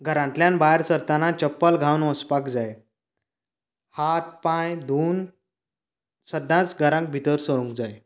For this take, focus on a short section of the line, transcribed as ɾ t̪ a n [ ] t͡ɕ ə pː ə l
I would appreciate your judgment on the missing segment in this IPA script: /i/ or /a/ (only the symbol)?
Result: a